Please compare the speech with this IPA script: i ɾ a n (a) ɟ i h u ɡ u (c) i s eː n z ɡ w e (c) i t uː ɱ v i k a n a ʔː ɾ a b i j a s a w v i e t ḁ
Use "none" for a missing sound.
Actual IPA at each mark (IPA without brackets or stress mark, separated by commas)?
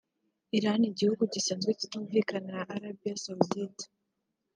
i, ɟ, c